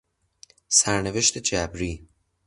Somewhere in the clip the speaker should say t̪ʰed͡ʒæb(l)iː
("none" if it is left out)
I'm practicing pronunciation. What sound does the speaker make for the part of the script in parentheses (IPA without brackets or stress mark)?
ɾ